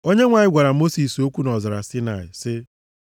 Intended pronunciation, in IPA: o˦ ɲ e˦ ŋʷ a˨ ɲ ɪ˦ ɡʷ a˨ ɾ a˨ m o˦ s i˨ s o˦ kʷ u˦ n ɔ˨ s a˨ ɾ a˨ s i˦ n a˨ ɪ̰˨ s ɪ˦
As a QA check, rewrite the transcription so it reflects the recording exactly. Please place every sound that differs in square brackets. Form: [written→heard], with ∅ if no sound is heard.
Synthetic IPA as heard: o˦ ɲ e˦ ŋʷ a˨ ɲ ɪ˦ ɡʷ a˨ ɾ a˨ m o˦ s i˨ s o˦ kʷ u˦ n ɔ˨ [s→z] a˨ ɾ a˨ s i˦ n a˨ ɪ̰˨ s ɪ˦